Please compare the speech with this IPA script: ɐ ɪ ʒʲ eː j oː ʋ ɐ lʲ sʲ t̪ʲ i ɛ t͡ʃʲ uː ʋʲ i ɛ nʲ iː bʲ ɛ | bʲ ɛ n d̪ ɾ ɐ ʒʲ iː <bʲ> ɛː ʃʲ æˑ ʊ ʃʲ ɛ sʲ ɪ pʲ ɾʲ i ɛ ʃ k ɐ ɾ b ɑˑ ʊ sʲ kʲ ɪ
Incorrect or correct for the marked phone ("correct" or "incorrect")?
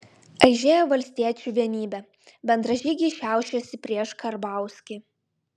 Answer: incorrect